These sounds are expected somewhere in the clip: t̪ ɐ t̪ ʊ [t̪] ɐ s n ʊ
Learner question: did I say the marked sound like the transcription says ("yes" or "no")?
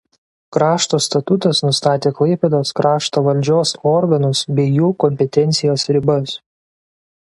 yes